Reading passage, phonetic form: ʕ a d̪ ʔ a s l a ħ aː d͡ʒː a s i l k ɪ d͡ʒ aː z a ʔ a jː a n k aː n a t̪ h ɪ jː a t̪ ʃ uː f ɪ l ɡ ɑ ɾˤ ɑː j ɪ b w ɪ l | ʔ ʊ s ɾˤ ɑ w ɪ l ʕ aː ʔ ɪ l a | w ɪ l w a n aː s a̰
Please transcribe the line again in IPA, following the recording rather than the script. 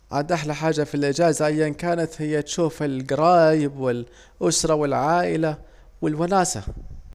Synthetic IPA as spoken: ʕ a d̪ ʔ a ħ l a ħ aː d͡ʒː a f i l ʔ ɪ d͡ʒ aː z a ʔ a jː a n k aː n a t̪ h ɪ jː a t̪ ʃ uː f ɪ l ɡ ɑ ɾˤ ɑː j ɪ b w ɪ l | ʔ ʊ s ɾˤ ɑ w ɪ l ʕ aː ʔ ɪ l a | w ɪ l w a n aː s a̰

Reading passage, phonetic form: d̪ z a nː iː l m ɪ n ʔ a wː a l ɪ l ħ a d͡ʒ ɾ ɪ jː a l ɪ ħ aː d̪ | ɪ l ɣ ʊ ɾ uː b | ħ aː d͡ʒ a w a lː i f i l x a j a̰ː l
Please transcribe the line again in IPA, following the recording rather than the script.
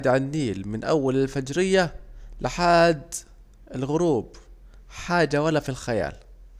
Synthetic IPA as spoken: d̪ ʕ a nː iː l m ɪ n ʔ a wː a l ɪ l f a d͡ʒ ɾ ɪ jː a l ɪ ħ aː d̪ | ɪ l ɣ ʊ ɾ uː b | ħ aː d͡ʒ a w a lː a f i l x a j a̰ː l

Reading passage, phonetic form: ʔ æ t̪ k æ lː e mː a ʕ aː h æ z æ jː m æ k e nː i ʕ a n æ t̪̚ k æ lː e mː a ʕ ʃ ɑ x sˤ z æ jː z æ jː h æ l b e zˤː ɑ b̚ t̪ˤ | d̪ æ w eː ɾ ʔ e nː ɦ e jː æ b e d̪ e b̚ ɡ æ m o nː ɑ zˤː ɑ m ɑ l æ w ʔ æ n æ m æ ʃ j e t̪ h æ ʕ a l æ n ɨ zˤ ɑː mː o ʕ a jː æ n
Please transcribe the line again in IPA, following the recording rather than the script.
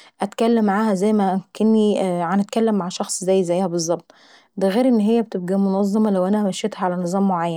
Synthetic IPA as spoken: ʔ æ t̪ k æ lː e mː a ʕ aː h æ z æ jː m æ k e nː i ʕ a n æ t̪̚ k æ lː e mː a ʕ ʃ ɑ x sˤ z æ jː z æ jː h æ b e zˤː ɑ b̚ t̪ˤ | d̪ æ ɣ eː ɾ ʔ e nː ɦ e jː æ b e t̪ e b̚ ɡ æ m o n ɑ zˤː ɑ m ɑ l æ w ʔ æ n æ m æ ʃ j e t̪ h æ ʕ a l æ n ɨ zˤ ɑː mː o ʕ a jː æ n

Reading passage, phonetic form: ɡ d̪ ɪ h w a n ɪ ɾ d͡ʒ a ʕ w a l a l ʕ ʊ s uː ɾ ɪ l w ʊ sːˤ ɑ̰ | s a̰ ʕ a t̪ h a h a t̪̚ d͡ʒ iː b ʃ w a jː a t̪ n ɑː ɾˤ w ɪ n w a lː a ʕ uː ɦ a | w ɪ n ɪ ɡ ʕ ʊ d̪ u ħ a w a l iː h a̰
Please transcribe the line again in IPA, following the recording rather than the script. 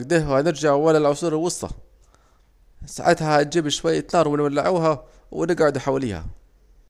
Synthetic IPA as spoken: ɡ d̪ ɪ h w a n ɪ ɾ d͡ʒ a ʕ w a l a l ʕ ʊ s uː ɾ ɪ l w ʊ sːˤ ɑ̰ | s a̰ ʕ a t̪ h a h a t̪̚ d͡ʒ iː b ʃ w a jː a t̪ n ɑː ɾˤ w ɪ n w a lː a ʕ uː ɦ a | w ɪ n ɪ ɡ ʕ ʊ d̪ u ħ a w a l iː h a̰

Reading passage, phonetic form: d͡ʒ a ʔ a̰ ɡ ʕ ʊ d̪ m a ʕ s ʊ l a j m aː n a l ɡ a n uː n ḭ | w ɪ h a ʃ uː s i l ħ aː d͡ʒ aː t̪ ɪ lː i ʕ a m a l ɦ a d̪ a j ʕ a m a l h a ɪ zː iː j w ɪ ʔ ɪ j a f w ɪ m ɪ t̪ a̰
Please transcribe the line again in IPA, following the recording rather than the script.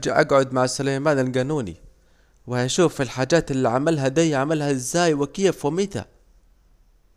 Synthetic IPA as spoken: d͡ʒ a ʔ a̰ ɡ ʕ ʊ d̪ m a ʕ s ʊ l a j m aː n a l ɡ a n uː n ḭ | w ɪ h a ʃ uː f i l ħ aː d͡ʒ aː t̪ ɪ lː i ʕ a m a l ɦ a d̪ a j ʕ a m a l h a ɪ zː aː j w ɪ k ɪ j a f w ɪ m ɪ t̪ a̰

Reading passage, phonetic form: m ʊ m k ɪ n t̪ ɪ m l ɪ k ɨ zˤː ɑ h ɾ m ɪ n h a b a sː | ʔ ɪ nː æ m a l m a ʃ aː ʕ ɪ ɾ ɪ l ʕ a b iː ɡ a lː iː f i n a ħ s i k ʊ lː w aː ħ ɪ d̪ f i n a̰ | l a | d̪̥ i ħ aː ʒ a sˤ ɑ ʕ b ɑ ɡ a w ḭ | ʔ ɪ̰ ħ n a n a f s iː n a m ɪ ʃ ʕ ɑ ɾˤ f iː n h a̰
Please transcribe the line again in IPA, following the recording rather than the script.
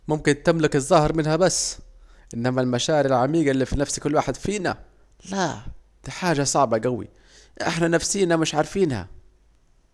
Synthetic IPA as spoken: m ʊ m k ɪ n t̪ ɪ m l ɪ k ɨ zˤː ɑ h ɾ m ɪ n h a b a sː | ʔ ɪ nː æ m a l m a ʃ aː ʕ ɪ ɾ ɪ l ʕ a m iː ɡ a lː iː f i n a f s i k ʊ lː w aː ħ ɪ d̪ f iː n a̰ | l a | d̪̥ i ħ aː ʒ a sˤ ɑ ʕ b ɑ ɡ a w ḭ | ʔ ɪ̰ ħ n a n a f s iː n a m ɪ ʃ ʕ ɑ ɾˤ f iː n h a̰

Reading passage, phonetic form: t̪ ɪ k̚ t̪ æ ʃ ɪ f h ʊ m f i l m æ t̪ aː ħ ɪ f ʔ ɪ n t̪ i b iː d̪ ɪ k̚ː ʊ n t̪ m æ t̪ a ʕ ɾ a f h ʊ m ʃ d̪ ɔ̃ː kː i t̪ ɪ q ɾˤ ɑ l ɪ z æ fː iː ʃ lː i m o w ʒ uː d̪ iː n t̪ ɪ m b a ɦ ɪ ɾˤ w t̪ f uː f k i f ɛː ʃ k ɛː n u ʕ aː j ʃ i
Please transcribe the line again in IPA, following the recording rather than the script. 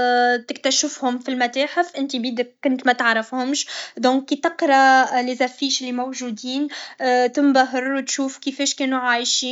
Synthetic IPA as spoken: t̪ ɪ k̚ t̪ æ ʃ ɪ f h ʊ m f i l m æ t̪ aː ħ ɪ f ʔ ɪ n t̪ i b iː d̪ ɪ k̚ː ʊ n t̪ m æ t̪ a ʕ ɾ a f h ʊ m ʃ d̪ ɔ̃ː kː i t̪ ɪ q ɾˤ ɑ l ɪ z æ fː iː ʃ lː i m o w ʒ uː d̪ iː n t̪ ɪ m b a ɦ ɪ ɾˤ w t̪ ʃ uː f k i f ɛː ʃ k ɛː n u ʕ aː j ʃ i

